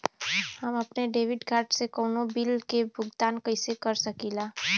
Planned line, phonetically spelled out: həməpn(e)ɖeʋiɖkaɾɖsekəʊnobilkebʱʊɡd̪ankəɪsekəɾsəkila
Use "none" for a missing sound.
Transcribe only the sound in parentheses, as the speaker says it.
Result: e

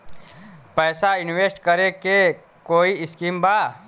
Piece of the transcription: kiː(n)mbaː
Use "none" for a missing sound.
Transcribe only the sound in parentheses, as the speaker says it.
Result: none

